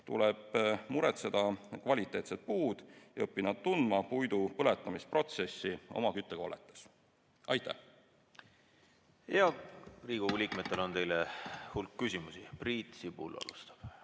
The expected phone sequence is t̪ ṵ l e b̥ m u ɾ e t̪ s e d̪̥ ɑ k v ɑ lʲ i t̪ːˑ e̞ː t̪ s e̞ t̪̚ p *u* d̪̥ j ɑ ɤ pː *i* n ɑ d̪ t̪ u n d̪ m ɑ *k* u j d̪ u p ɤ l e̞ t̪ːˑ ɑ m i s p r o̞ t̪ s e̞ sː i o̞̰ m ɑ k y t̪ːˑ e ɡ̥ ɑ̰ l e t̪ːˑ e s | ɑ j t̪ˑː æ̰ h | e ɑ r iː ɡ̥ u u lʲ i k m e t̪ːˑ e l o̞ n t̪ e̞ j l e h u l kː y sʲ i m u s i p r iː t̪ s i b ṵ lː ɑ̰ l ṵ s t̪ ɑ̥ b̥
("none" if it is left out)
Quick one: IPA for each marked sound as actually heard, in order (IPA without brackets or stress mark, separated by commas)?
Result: uː, i, p